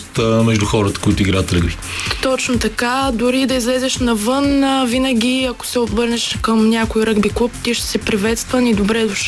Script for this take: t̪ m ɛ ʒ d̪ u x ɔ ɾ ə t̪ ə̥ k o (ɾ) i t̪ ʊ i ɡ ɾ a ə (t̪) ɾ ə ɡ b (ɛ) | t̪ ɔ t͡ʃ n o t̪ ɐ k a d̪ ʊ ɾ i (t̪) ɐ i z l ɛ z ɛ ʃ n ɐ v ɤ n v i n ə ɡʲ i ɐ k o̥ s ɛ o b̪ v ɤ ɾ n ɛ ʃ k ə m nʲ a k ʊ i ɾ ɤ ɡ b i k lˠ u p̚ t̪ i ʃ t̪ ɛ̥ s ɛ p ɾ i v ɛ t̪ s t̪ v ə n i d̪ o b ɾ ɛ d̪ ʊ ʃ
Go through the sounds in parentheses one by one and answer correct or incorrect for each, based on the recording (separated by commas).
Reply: incorrect, correct, incorrect, incorrect